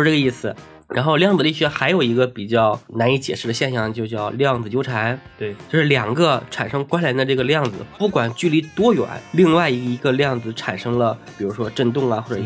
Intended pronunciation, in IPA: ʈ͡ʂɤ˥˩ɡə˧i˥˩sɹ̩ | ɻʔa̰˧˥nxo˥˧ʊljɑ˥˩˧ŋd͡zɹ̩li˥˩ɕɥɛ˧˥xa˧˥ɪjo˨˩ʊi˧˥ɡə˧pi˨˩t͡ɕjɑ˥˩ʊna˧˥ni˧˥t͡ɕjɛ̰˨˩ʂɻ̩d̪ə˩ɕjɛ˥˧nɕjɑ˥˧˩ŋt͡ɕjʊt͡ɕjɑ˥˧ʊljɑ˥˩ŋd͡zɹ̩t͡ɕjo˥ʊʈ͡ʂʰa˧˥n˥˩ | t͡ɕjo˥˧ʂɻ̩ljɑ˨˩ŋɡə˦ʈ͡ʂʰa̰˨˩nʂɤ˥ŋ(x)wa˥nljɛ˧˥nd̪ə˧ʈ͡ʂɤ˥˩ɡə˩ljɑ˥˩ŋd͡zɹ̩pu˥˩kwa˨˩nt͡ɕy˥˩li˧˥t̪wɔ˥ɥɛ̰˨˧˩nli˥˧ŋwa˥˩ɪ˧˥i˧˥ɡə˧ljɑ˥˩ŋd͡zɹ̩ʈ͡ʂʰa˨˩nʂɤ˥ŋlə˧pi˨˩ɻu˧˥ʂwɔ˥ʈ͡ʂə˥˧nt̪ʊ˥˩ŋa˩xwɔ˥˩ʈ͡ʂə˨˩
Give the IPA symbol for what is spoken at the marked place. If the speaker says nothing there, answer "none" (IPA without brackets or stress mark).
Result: k